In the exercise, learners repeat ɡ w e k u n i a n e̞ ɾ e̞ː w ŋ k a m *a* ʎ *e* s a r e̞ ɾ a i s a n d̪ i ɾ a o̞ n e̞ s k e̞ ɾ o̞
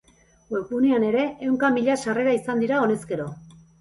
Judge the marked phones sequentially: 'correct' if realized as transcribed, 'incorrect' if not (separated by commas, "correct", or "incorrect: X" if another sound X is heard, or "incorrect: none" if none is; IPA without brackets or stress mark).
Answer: incorrect: i, incorrect: a